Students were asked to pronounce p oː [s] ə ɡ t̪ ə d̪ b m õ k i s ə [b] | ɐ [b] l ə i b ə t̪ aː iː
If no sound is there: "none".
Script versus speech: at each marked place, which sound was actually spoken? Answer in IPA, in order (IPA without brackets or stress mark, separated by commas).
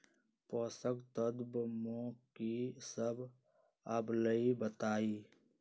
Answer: s, b, b